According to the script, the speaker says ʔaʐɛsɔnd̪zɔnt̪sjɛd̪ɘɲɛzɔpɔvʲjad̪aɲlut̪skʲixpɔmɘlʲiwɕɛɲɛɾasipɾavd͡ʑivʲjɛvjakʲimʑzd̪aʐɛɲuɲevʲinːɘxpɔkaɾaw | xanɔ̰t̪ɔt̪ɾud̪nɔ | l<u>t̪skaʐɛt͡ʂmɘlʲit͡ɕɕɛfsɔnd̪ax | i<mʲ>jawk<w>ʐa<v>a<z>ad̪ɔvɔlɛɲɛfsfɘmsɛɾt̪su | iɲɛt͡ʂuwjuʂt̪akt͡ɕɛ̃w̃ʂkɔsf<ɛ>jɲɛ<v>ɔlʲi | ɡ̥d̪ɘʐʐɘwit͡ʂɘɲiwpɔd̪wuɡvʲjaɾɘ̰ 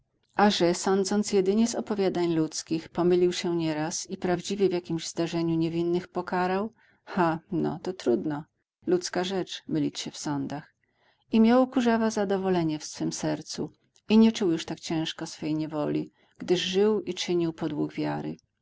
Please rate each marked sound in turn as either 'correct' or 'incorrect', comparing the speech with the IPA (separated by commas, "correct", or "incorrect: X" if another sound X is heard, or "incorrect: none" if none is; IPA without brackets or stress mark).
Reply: correct, correct, incorrect: u, correct, correct, correct, correct